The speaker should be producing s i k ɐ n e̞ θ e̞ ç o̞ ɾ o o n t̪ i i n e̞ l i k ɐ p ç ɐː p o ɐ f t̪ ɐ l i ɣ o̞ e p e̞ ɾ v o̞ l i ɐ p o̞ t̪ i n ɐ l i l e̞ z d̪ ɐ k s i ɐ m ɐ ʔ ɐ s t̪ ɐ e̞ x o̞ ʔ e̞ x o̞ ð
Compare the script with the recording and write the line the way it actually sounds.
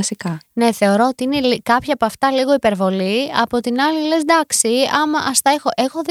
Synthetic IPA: s i k ɐ n e̞ θ e̞ o̞ ɾ o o t̪ i i n e̞ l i k ɐ p ç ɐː p o ɐ f t̪ ɐ l i ɣ o̞ i p e̞ ɾ v o̞ l i ɐ p o̞ t̪ i n ɐ l i l e̞ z d̪ ɐ k s i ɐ m ɐ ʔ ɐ s t̪ ɐ e̞ x o̞ ʔ e̞ x o̞ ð